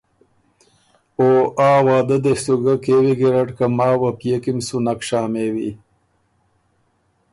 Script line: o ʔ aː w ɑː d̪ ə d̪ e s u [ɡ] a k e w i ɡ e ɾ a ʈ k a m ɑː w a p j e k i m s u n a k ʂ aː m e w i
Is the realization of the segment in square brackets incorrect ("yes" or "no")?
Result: no